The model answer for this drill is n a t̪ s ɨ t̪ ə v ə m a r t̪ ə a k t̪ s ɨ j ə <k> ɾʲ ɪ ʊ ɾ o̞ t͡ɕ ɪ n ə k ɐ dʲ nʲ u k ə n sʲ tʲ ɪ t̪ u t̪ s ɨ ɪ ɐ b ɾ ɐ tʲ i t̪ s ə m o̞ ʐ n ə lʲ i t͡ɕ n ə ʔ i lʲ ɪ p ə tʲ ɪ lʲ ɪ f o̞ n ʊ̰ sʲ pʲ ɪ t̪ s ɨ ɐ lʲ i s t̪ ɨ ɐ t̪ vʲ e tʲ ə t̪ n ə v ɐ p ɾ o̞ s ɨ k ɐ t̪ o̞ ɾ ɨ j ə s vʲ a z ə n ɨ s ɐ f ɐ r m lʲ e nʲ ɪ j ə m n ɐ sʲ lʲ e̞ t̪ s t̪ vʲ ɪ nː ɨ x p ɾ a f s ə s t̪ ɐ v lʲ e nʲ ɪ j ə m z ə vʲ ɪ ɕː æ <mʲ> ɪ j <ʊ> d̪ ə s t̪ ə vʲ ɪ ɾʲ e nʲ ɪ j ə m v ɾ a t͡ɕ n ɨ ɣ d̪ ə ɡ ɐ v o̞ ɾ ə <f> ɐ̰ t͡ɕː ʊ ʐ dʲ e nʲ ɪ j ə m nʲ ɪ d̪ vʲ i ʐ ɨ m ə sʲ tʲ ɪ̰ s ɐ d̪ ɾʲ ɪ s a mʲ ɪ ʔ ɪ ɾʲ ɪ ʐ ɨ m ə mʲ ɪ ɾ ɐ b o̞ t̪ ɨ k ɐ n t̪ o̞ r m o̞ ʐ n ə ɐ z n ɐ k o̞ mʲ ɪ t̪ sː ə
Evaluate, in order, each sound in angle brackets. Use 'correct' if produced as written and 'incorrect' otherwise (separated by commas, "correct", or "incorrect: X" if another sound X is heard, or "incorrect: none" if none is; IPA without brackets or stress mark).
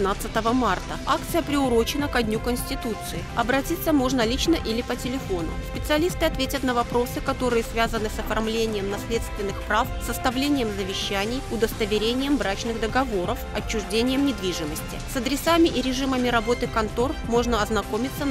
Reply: incorrect: p, incorrect: nʲ, correct, correct